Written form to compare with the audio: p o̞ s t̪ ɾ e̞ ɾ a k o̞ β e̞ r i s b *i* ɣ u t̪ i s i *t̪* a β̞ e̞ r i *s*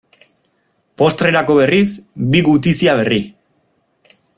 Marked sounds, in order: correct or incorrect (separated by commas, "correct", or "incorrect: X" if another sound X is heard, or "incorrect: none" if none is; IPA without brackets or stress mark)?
correct, incorrect: none, incorrect: none